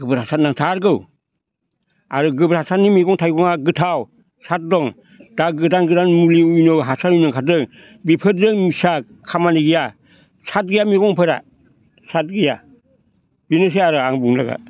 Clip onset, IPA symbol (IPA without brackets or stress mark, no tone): ɡ